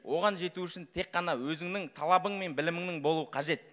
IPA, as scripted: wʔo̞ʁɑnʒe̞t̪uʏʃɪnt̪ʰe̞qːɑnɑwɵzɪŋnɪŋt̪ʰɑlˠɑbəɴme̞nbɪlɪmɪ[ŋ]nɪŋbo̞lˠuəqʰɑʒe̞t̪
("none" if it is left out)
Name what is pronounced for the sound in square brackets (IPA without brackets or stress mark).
ŋ